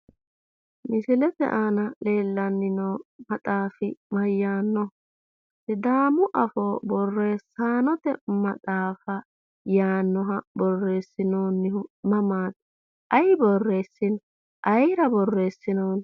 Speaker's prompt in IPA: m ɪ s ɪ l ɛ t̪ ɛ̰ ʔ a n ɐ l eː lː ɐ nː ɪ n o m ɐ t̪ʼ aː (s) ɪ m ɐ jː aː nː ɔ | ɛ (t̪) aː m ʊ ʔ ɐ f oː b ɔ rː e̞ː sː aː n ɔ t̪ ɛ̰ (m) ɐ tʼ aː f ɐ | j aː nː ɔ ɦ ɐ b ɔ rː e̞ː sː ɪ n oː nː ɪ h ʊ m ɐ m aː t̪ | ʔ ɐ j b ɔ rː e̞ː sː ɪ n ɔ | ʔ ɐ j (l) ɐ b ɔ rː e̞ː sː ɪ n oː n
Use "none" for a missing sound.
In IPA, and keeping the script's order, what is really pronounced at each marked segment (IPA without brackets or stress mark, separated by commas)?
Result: f, d̪, m, ɾ